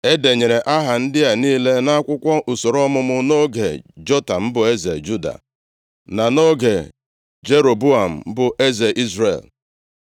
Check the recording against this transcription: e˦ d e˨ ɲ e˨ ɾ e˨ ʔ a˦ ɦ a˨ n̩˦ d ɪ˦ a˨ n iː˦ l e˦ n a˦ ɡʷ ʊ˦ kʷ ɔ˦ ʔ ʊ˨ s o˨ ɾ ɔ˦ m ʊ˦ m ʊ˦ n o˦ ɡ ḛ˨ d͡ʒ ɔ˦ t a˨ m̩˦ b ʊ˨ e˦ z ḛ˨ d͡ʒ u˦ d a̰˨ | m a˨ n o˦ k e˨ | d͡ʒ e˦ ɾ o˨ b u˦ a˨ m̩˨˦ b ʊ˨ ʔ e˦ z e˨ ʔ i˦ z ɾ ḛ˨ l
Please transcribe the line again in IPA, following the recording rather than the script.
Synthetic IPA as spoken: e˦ d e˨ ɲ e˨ ɾ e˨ ʔ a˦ ɦ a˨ n̩˦ d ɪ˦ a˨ n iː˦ l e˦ n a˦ kʷ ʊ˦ kʷ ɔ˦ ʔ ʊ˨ s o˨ ɾ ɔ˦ m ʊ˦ m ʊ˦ n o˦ ɡ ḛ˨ d͡ʒ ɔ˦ t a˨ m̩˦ b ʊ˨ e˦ z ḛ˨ d͡ʒ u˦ d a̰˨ | n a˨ n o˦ ɡ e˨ | d͡ʒ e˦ ɾ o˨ b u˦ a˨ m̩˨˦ b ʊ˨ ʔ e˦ z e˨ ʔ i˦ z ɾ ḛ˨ l